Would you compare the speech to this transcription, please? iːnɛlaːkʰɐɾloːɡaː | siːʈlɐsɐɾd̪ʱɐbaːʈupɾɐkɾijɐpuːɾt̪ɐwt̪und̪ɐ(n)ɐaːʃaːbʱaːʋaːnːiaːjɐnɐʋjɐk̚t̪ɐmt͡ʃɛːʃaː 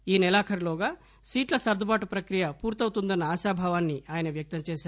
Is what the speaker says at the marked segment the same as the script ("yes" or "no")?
no